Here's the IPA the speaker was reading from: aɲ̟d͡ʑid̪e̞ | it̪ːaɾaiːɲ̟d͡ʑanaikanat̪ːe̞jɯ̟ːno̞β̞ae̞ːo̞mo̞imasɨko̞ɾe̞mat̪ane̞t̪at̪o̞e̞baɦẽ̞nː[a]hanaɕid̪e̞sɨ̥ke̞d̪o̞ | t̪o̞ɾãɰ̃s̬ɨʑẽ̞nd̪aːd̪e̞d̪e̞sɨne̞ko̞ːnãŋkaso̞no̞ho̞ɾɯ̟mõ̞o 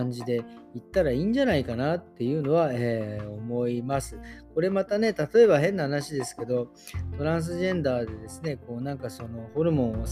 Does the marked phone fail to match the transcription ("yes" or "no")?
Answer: no